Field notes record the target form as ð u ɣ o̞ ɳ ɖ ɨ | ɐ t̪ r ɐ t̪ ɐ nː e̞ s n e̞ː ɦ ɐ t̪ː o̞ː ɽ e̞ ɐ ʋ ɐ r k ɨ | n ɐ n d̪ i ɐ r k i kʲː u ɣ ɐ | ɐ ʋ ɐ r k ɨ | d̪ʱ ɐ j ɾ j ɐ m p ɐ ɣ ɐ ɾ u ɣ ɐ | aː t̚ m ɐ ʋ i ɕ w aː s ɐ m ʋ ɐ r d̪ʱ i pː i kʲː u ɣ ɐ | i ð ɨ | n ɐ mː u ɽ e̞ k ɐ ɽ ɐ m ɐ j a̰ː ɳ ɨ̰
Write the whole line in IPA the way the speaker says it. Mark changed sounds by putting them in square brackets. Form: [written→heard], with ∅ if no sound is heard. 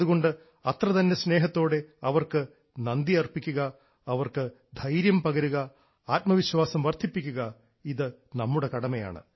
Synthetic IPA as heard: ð u ɣ o̞ ɳ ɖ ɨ | ɐ t̪ r ɐ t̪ ɐ nː e̞ s n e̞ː ɦ ɐ t̪ː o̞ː ɽ e̞ ɐ ʋ ɐ r k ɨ | n ɐ n d̪ i ɐ r [k→p] i kʲː u ɣ ɐ | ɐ ʋ ɐ r k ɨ | d̪ʱ ɐ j ɾ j ɐ m p ɐ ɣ ɐ ɾ u ɣ ɐ | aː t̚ m ɐ ʋ i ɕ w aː s ɐ m ʋ ɐ r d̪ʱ i pː i kʲː u ɣ ɐ | i ð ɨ | n ɐ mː u ɽ e̞ k ɐ ɽ ɐ m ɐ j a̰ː ɳ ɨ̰